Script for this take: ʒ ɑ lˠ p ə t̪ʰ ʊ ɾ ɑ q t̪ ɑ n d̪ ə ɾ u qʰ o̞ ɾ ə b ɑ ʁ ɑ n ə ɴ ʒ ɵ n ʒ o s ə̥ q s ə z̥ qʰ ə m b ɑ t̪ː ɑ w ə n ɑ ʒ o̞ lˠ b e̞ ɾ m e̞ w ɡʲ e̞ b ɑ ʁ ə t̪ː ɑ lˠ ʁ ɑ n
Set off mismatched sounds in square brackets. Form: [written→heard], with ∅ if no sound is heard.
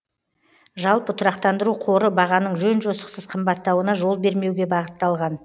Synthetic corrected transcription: ʒ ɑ lˠ p ə t̪ʰ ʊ ɾ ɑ q t̪ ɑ n d̪ ə ɾ u qʰ o̞ ɾ ə b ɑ ʁ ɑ n ə ɴ ʒ ɵ n ʒ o s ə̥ q s ə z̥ qʰ ə m b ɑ t̪ː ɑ w ə n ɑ ʒ o̞ lˠ b e̞ ɾ m e̞ w ɡʲ e̞ b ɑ ʁ ə t̪ː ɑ lˠ ʁ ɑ n

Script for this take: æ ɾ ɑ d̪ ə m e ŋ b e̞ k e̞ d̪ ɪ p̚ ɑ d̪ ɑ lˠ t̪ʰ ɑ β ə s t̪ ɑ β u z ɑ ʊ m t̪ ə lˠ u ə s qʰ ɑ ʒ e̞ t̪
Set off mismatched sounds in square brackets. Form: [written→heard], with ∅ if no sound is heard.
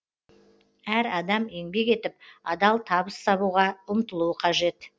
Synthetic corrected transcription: æ ɾ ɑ d̪ [ə→ɑ] m e ŋ b e̞ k e̞ [d̪→t̪] ɪ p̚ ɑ d̪ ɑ lˠ t̪ʰ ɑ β ə s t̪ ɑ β u [z→ʁ] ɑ ʊ m t̪ ə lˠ u ə [s→∅] qʰ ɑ ʒ e̞ t̪

